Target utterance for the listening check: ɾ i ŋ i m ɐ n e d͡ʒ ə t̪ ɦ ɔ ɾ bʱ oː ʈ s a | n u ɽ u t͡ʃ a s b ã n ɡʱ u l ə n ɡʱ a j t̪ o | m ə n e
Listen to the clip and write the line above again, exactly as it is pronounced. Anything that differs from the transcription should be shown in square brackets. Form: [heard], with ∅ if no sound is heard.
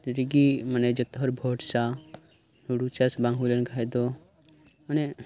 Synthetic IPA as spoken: ɾ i [ɡ] i m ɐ n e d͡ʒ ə t̪ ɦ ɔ ɾ bʱ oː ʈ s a | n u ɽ u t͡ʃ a s b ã [ŋ] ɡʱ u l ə n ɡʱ a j [d̪] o | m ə n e